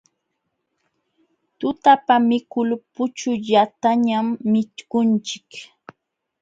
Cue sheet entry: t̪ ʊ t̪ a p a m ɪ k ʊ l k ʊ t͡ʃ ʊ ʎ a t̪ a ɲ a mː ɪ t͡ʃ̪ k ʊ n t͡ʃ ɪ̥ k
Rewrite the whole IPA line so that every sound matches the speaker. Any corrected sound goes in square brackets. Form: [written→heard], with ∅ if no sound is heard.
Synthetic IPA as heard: t̪ ʊ t̪ a p a m ɪ k ʊ l [k→p] ʊ t͡ʃ ʊ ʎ a t̪ a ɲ a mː ɪ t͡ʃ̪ k ʊ n t͡ʃ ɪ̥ k